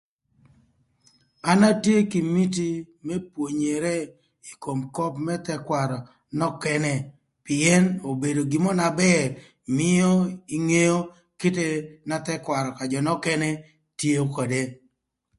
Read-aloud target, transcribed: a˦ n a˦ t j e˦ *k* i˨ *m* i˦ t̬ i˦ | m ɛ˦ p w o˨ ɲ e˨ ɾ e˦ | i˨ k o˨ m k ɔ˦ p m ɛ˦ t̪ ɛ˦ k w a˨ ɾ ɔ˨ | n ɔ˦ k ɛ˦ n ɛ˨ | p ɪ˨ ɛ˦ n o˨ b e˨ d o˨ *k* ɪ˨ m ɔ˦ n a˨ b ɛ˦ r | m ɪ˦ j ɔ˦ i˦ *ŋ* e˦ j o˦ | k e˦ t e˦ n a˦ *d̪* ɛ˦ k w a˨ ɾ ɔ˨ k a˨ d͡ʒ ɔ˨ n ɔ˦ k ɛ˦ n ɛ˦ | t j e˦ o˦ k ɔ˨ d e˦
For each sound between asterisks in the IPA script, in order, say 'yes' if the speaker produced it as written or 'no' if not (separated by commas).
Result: yes, yes, no, yes, no